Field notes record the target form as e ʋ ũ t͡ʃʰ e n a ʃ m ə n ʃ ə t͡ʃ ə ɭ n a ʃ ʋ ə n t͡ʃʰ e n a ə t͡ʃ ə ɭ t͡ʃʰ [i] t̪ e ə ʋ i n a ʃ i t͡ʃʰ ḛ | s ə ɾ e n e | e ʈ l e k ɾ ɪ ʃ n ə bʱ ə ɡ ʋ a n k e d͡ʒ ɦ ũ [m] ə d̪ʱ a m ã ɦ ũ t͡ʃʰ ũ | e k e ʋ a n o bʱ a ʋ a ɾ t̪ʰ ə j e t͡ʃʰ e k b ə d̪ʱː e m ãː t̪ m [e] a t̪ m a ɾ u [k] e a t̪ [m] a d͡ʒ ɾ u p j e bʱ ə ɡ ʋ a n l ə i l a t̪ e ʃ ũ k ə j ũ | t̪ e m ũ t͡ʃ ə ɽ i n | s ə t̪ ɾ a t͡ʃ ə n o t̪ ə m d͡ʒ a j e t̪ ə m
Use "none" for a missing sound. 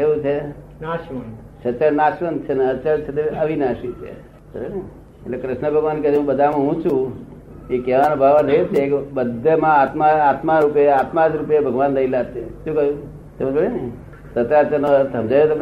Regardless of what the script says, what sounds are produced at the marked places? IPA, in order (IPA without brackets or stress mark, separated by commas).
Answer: e, b, a, p, m